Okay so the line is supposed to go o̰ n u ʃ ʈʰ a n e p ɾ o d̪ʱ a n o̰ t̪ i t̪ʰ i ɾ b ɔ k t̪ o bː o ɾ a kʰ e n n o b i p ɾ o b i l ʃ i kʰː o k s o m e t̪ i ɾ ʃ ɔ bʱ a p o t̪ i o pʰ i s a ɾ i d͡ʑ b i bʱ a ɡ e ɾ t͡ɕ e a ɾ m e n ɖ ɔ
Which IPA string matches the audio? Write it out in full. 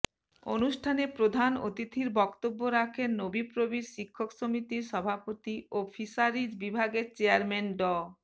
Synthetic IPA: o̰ n u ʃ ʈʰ a n e p ɾ o d̪ʱ a n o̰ t̪ i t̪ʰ i ɾ b ɔ k t̪ o bː o ɾ a kʰ e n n o b i p ɾ o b i ɾ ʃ i kʰː o k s o m i t̪ i ɾ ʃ ɔ bʱ a p o t̪ i o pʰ i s a ɾ i d͡ʑ b i bʱ a ɡ e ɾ t͡ɕ e a ɾ m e n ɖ ɔ